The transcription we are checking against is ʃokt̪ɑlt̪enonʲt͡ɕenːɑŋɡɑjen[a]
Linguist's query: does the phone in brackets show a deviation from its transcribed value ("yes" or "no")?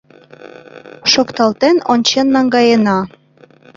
yes